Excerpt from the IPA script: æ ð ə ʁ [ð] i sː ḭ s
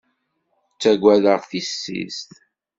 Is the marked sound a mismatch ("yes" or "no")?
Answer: yes